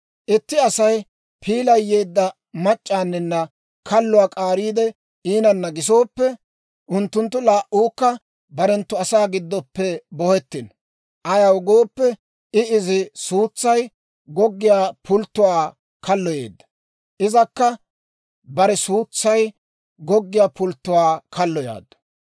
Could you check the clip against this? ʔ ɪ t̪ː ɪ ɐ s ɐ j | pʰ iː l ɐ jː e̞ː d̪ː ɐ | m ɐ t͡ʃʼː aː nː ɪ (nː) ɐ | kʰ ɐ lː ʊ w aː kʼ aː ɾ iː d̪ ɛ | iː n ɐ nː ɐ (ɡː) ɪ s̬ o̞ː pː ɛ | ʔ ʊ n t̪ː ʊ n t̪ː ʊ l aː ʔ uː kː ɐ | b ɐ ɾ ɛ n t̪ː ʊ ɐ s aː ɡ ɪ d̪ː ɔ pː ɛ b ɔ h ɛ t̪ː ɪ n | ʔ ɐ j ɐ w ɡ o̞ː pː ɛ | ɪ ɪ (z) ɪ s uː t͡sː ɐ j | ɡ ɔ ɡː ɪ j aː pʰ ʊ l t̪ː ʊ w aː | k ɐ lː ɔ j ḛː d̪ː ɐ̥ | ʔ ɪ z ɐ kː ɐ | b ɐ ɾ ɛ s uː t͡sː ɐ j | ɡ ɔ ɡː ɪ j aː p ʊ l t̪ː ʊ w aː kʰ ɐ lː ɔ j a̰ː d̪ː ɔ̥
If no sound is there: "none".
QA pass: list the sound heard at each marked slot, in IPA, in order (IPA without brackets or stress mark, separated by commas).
nː, ɡ, z